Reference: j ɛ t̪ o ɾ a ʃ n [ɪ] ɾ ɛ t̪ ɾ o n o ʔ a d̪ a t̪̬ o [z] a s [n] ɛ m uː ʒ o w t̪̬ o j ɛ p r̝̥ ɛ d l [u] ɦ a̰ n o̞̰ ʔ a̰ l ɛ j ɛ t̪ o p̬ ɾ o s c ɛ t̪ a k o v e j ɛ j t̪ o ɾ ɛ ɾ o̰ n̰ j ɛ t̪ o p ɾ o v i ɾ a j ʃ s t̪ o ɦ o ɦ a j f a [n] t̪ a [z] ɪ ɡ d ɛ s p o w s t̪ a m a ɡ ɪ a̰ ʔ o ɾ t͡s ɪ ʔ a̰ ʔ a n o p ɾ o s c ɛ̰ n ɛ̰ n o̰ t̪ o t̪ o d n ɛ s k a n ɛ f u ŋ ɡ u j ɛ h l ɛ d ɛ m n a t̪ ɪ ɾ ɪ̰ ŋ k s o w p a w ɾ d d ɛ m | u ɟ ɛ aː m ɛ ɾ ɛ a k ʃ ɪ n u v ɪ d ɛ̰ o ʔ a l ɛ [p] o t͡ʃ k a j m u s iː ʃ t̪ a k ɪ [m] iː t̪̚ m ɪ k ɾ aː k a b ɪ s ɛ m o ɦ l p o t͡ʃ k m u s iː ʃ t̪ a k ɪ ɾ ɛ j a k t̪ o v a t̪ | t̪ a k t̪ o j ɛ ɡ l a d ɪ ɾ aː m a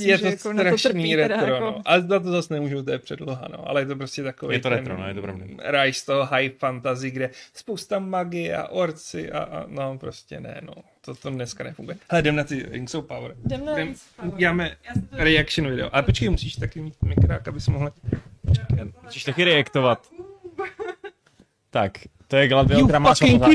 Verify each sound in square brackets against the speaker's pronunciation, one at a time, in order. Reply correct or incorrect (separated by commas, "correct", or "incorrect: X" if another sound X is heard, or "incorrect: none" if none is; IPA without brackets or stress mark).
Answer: incorrect: i, correct, correct, incorrect: o, correct, correct, correct, correct